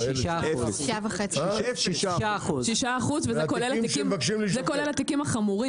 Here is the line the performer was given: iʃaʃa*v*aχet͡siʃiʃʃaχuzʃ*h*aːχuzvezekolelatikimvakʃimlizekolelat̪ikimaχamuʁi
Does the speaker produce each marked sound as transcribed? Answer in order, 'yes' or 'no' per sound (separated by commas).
yes, no